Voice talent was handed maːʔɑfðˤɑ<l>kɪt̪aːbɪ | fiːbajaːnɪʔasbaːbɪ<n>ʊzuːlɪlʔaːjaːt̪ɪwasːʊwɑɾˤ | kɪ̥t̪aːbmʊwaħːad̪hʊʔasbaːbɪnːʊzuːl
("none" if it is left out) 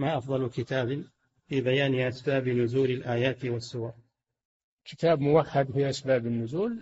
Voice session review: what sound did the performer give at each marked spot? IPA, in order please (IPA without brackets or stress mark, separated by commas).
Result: l, n